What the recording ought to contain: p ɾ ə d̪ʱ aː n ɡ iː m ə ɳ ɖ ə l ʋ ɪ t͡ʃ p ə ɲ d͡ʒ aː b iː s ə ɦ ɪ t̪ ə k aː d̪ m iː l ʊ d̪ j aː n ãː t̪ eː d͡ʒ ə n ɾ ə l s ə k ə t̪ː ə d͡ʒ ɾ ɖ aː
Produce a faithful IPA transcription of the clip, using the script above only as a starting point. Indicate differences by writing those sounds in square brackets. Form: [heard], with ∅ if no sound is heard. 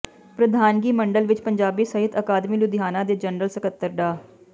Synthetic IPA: p ɾ ə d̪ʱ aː n ɡ iː m ə ɳ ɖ ə l ʋ ɪ t͡ʃ p ə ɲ d͡ʒ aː b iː s ə ɦ ɪ t̪ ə k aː d̪ m iː l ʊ d̪ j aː n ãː [d̪] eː d͡ʒ ə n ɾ ə l s ə k ə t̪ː ə [∅] ɾ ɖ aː